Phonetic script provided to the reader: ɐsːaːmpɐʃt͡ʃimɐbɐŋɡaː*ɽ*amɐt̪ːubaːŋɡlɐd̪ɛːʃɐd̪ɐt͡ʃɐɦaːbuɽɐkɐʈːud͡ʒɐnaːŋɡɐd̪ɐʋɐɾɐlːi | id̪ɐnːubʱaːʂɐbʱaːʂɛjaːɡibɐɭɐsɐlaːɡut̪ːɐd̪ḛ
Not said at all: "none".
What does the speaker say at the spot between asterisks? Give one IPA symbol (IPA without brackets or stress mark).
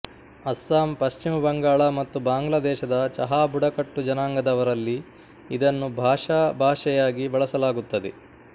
ɭ